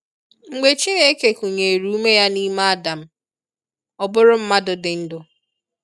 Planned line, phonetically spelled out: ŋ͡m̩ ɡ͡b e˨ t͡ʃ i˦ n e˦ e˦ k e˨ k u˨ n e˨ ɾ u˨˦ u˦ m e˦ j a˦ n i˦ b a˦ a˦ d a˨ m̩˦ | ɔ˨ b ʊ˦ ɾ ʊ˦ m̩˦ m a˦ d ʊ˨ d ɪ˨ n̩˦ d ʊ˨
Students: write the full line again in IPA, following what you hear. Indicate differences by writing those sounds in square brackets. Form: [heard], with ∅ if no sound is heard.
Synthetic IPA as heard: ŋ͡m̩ ɡ͡b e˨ t͡ʃ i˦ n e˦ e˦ k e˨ k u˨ [ɲ] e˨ ɾ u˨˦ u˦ m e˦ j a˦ n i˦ [m] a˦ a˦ d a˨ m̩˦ | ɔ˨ b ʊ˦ ɾ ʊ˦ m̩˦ m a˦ d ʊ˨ d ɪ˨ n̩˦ d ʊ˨